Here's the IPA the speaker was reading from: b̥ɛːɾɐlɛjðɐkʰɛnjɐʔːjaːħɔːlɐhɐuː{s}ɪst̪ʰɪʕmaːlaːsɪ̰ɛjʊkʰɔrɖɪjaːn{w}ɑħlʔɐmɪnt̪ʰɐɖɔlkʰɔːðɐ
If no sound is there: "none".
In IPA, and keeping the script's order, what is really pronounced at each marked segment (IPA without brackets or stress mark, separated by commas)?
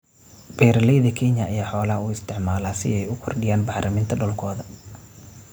none, b